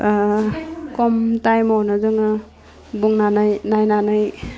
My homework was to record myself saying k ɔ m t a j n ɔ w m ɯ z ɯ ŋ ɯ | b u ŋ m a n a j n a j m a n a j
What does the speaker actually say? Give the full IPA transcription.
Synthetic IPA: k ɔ m t a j m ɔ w n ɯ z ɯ ŋ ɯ | b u ŋ n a n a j n a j n a n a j

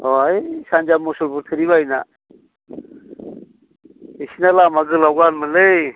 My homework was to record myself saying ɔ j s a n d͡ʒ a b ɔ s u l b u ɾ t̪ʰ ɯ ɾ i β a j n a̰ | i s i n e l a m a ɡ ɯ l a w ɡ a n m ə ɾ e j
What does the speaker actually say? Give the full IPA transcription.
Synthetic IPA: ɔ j s a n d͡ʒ a m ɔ s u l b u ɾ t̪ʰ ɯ ɾ i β a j n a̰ | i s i n a l a m a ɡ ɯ l a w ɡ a n m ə l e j

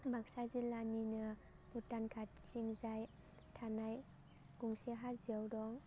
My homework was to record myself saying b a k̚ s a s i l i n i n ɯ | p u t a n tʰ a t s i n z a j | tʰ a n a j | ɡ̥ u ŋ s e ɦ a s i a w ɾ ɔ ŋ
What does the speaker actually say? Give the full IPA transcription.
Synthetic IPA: b a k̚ s a z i l a n i n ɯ | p u t a n kʰ a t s i ŋ z a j | tʰ a n a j | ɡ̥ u ŋ s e ɦ a z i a w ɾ ɔ ŋ

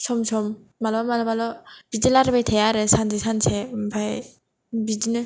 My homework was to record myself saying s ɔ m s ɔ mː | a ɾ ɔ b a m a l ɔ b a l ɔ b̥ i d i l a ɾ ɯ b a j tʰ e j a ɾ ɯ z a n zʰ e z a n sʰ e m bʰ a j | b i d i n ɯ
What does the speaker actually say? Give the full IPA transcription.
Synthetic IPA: s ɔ m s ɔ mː | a l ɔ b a m a l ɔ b a l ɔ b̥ i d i l a ɾ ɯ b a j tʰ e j a ɾ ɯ s a n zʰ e s a n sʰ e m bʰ a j | b i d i n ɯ

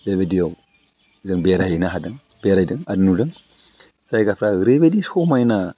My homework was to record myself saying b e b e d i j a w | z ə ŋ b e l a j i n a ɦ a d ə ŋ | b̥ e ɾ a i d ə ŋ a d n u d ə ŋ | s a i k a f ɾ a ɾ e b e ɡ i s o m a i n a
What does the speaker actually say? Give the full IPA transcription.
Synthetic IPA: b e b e d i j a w | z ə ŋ b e ɾ a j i n a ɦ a d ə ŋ | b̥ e ɾ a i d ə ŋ a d n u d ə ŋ | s a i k a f ɾ a ɾ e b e d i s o m a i n a

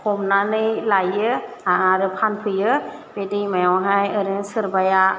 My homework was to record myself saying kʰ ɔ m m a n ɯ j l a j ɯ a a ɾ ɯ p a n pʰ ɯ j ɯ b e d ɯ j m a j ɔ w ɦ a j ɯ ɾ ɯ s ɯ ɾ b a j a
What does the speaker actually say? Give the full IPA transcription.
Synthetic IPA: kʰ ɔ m n a n ɯ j l a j ɯ a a ɾ ɯ pʰ a n pʰ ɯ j ɯ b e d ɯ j m a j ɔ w ɦ a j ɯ ɾ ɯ s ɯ ɾ b a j a

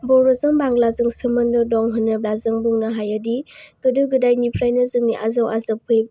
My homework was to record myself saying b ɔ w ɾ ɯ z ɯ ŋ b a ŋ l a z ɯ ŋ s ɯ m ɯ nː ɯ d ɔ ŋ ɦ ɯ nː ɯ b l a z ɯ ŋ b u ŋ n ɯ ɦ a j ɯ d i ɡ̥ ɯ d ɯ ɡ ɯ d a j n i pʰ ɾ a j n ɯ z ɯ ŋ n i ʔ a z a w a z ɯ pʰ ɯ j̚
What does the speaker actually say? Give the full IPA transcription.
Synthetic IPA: b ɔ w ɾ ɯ z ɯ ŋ b a ŋ l a z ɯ ŋ s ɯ m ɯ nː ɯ d ɔ ŋ ɦ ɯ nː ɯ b l a z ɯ ŋ b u ŋ n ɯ ɦ a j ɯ d i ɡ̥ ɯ d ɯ ɡ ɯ d a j n i pʰ ɾ a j n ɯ z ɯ ŋ n i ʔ a z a w a z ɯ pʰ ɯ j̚

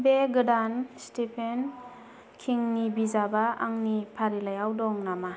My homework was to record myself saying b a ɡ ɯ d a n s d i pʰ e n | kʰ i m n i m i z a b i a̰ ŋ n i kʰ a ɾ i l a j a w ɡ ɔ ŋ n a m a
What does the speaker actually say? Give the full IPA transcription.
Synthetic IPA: b e ɡ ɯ d a n s t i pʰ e n | kʰ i ŋ n i b i z a b a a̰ ŋ n i pʰ a ɾ i l a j a w d ɔ ŋ n a m a

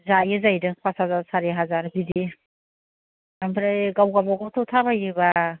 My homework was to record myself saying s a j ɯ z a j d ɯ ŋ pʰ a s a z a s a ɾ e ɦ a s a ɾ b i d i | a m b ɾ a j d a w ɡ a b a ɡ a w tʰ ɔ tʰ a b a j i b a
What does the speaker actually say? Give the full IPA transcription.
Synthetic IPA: z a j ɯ z a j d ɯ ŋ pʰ a s a z a s a ɾ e ɦ a z a ɾ b i d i | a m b ɾ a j ɡ a w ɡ a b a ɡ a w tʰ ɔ tʰ a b a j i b a

